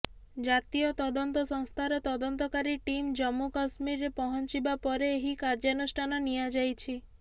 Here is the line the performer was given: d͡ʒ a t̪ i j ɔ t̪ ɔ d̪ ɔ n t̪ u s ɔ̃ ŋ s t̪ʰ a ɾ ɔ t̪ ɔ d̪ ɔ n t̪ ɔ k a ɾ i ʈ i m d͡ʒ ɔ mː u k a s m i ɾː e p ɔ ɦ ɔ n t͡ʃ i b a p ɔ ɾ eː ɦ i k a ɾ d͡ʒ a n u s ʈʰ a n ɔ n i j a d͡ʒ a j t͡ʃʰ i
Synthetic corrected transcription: d͡ʒ a t̪ i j ɔ t̪ ɔ d̪ ɔ n t̪ ɔ s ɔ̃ ŋ s t̪ʰ a ɾ ɔ t̪ ɔ d̪ ɔ n t̪ ɔ k a ɾ i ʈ i m d͡ʒ ɔ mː u k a s m i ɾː e p ɔ ɦ ɔ n t͡ʃ i b a p ɔ ɾ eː ɦ i k a ɾ d͡ʒ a n u s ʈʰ a n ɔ n i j a d͡ʒ a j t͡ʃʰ i